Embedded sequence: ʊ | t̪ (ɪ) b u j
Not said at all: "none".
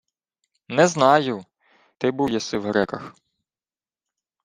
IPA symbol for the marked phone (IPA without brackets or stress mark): ɪ